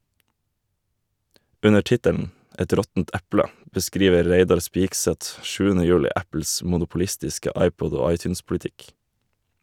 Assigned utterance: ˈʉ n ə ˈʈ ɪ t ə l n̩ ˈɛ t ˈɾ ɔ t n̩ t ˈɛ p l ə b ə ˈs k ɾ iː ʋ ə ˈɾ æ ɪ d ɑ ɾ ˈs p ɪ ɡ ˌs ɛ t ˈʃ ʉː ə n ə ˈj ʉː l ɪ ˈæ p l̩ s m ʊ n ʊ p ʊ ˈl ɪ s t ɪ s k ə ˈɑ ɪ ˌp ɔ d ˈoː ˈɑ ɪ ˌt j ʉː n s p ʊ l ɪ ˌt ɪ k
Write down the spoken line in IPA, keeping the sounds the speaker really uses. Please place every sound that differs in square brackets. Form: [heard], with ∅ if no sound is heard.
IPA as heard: ˈʉ n ə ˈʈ ɪ t ə l n̩ ˈɛ t ˈɾ ɔ t n̩ t ˈɛ p l ə b ə ˈs k ɾ iː ʋ ə ˈɾ [e] ɪ d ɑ ɾ ˈs p ɪ ɡ ˌs ɛ t ˈʃ ʉː ə n ə ˈj ʉː l ɪ ˈæ p l̩ s m ʊ n ʊ p ʊ ˈl ɪ s t ɪ s k ə ˈɑ ɪ ˌp ɔ d ˈoː ˈɑ ɪ ˌt j ʉː n s p ʊ l ɪ ˌt ɪ k